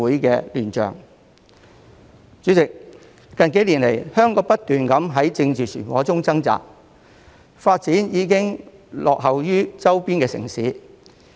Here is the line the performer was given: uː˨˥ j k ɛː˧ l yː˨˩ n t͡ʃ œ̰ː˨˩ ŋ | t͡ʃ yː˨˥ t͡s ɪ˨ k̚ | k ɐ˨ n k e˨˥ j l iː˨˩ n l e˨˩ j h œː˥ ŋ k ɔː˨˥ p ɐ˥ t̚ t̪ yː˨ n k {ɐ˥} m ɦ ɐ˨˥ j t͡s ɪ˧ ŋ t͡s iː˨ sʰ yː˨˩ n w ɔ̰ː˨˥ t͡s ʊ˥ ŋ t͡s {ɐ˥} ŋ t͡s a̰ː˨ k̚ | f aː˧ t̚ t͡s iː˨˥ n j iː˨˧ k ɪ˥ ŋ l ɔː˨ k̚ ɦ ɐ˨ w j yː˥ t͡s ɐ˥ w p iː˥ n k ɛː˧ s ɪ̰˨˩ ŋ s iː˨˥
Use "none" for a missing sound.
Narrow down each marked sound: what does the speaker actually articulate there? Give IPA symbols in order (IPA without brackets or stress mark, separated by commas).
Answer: ɐ˨˥, ɐ˥